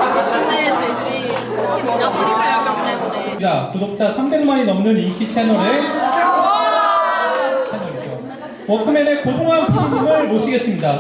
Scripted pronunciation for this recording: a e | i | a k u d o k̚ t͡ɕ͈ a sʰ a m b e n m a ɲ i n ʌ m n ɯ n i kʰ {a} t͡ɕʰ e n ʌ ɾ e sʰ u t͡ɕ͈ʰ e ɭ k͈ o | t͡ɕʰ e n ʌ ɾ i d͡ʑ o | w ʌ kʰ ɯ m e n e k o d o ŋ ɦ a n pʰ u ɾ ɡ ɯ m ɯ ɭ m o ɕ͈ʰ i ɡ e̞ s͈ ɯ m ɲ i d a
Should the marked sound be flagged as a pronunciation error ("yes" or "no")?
yes